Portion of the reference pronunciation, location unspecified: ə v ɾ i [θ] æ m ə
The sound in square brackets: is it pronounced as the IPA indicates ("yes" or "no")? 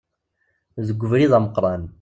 no